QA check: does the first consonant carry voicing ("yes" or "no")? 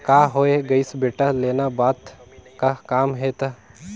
no